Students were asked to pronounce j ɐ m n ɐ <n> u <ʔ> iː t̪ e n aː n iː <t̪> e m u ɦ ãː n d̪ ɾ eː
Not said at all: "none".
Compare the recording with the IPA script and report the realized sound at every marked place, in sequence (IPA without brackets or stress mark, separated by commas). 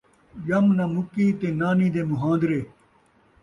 m, k, d̪